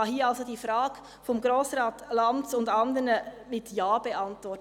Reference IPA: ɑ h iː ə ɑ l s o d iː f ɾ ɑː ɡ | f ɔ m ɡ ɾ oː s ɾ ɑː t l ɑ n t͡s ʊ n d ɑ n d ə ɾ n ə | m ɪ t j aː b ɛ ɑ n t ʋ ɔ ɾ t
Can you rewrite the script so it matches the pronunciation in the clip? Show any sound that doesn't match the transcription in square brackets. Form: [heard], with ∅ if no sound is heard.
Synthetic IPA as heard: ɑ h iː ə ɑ l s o d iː f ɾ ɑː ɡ | f ɔ m ɡ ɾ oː s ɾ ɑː t l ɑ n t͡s ʊ n d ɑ n d ə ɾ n ə | m ɪ t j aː b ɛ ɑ n t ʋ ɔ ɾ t